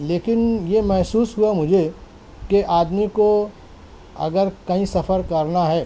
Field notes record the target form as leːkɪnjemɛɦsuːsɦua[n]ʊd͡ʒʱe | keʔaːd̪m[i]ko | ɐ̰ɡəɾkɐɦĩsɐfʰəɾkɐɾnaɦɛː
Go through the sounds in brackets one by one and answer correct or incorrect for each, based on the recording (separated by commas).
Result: incorrect, correct